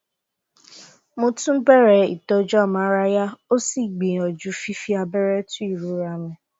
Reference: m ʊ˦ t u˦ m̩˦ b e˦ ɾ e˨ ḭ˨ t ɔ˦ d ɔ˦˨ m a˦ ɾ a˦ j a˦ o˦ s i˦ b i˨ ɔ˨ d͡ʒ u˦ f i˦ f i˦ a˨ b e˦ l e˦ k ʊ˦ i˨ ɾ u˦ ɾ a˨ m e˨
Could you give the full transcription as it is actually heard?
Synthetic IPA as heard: m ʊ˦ t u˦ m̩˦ b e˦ ɾ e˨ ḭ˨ t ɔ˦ d͡ʒ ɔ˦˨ m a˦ ɾ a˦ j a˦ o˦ s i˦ ɡ͡b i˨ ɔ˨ d͡ʒ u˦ f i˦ f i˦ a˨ b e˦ ɾ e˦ t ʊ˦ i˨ ɾ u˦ ɾ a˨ m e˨